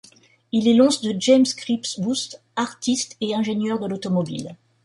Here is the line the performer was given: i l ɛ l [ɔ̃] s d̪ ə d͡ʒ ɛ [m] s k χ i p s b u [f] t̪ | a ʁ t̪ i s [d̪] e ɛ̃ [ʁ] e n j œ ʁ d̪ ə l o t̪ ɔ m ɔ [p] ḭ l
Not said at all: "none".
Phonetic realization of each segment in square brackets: ɔ̃, m, s, t̪, ʒ, b

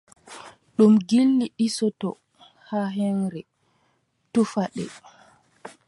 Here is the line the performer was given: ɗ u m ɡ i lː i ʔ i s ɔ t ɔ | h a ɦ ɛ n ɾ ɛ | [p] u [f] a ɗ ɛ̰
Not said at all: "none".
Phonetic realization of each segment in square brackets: t, f

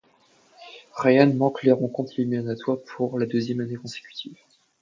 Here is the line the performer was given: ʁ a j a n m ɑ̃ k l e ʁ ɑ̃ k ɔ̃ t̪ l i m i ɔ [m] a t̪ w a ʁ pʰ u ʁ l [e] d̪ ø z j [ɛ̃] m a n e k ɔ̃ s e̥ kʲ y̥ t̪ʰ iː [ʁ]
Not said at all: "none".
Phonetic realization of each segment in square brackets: n, a, ɛ, v

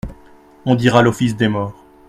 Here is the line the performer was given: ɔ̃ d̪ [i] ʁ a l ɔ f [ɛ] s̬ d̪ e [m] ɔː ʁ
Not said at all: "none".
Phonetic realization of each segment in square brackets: i, i, m

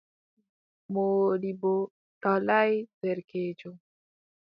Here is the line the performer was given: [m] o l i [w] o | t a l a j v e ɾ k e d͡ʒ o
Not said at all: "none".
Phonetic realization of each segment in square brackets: m, b

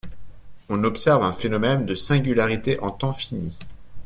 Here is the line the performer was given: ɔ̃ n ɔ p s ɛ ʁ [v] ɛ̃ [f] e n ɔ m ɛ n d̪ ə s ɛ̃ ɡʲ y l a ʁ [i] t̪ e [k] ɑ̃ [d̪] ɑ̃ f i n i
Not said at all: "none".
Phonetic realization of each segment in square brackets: v, f, i, ʔ, t̪

